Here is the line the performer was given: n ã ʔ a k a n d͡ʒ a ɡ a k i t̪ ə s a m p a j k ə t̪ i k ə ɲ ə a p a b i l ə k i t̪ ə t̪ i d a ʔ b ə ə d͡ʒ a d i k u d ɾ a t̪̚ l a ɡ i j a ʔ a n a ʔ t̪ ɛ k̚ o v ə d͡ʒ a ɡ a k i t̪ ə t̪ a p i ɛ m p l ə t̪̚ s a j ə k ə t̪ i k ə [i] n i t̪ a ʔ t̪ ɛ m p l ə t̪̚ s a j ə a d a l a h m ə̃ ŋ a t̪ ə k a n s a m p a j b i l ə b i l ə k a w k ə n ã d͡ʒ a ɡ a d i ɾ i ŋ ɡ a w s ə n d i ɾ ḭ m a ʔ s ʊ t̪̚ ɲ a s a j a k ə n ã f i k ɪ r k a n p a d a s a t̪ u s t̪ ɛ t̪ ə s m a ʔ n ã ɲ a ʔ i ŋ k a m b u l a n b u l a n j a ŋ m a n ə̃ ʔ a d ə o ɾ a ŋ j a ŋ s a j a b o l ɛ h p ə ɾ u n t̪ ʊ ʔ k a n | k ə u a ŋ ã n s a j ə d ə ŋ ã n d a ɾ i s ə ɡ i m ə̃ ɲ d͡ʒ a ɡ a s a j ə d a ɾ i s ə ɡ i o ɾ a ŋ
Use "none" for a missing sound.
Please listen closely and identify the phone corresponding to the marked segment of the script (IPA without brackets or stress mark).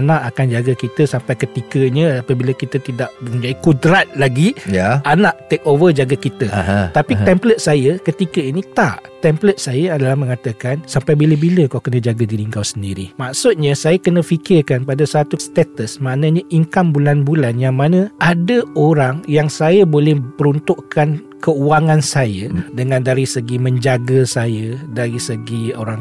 i